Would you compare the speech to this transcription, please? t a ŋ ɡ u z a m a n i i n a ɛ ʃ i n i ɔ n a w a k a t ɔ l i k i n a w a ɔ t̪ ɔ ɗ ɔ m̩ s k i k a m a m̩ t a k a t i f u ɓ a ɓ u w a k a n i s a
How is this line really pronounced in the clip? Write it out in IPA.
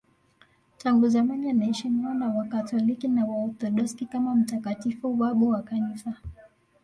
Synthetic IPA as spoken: t a ŋ ɡ u z a m a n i a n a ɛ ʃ i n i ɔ n a w a k a t ɔ l i k i n a w a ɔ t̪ ɔ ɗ ɔ s k i k a m a m̩ t a k a t i f u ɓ a ɓ u w a k a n i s a